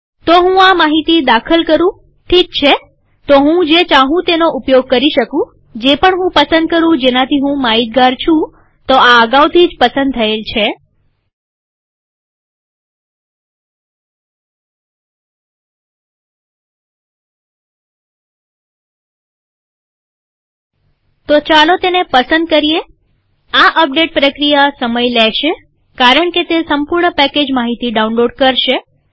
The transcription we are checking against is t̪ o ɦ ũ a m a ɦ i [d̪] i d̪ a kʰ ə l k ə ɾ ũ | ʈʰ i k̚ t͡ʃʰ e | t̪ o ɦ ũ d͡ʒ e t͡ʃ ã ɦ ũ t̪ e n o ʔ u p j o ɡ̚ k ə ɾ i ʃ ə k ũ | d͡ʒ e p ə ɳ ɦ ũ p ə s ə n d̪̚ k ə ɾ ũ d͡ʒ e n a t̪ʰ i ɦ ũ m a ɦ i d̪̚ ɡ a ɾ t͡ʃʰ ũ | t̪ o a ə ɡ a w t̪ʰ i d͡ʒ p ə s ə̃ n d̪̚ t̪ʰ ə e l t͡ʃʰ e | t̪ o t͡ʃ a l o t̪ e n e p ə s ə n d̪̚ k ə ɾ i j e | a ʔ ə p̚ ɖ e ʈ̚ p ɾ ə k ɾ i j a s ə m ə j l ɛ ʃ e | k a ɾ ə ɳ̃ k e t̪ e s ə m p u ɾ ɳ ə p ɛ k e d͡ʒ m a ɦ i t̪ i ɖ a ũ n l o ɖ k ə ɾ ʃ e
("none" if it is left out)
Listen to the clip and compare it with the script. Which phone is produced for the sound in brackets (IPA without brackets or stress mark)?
t̪